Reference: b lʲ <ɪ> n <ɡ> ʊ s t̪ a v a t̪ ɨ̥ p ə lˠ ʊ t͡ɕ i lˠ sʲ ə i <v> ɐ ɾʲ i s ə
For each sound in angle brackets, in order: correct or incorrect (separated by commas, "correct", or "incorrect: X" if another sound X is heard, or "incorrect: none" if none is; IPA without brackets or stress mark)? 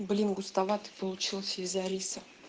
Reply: incorrect: i, correct, incorrect: z